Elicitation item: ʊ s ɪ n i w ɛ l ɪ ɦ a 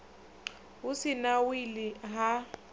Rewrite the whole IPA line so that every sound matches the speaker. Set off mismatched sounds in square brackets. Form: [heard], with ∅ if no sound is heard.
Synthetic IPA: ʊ s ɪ n [a] w [i] l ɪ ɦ a